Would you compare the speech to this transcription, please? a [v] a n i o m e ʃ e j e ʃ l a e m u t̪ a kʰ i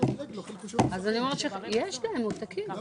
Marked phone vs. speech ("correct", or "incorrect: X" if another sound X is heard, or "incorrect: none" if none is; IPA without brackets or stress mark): incorrect: z